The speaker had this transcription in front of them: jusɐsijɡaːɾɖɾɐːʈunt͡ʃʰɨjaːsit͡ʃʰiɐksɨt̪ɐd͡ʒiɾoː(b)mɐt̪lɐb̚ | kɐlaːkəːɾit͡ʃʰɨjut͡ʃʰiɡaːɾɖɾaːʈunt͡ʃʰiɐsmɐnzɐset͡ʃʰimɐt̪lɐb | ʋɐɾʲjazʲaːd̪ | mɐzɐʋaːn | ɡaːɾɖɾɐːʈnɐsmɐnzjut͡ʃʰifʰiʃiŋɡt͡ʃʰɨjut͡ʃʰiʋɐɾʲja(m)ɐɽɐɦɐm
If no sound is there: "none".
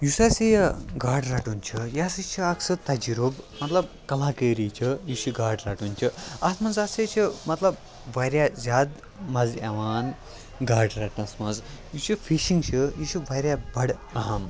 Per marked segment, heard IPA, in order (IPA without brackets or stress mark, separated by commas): b, b